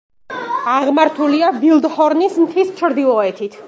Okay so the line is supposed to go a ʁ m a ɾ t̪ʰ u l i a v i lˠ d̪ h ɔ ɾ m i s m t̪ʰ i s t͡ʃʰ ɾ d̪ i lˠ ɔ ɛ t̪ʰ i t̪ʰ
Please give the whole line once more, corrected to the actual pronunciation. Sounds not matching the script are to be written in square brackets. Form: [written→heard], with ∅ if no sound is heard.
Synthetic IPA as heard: a ʁ m a ɾ t̪ʰ u l i a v i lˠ d̪ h ɔ ɾ [m→n] i s m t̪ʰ i s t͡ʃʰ ɾ d̪ i lˠ ɔ ɛ t̪ʰ i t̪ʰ